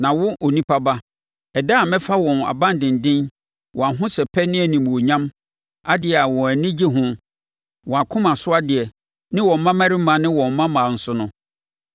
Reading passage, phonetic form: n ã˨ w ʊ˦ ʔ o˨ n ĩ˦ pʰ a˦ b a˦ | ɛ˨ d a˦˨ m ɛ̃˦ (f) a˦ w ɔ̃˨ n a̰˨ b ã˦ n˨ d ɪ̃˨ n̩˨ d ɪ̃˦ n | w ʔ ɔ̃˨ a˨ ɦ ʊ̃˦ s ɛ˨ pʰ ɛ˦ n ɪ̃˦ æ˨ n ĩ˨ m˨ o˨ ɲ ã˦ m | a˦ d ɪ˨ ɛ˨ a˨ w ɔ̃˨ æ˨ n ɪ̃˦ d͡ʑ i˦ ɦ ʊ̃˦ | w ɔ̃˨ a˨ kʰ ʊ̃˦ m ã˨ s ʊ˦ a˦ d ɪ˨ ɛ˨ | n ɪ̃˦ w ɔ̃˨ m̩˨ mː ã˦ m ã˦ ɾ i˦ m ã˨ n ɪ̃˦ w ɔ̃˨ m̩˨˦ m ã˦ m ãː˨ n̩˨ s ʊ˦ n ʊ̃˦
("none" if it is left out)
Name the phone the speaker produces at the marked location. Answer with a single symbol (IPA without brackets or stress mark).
f